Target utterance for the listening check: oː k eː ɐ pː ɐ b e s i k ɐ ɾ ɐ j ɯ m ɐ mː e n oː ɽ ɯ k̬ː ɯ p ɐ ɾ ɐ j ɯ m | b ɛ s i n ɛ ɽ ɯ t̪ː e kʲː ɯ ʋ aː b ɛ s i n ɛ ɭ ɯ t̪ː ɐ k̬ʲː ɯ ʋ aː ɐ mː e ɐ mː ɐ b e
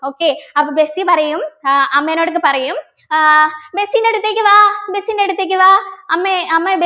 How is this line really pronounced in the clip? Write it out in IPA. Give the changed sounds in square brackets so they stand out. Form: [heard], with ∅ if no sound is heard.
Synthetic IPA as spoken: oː k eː ɐ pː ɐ b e s i [p] ɐ ɾ ɐ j ɯ m ɐ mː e n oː ɽ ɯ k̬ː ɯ p ɐ ɾ ɐ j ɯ m | b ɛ s i n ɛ ɽ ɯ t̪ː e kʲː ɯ ʋ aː b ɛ s i n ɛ [ɽ] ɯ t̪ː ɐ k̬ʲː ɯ ʋ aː ɐ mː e ɐ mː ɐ b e